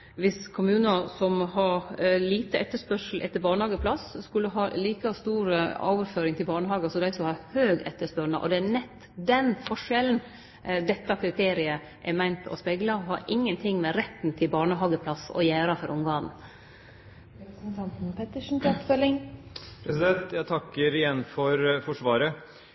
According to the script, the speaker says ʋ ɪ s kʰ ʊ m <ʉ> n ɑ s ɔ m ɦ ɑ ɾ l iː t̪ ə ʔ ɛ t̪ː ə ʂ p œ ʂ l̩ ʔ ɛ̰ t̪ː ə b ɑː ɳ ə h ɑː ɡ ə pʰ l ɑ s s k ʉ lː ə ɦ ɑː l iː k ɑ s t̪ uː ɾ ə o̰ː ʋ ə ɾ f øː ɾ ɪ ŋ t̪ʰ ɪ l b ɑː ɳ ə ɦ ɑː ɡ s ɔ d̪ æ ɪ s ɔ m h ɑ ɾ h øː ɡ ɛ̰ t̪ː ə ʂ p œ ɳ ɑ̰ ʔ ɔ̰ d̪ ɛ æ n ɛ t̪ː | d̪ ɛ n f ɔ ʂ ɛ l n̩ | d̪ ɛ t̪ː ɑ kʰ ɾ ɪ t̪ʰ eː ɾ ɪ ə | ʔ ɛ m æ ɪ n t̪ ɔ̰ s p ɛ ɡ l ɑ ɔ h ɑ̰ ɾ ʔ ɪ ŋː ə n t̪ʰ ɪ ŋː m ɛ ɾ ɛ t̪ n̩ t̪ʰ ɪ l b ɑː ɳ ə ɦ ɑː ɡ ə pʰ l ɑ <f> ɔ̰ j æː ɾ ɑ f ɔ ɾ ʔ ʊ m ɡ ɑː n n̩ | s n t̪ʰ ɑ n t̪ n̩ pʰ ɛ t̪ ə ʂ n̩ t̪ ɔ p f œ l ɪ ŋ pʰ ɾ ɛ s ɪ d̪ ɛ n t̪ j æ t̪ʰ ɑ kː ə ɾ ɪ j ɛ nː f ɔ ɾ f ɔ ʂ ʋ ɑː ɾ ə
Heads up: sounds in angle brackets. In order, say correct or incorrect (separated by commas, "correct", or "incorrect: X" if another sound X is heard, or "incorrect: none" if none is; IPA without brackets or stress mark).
incorrect: ʉː, incorrect: s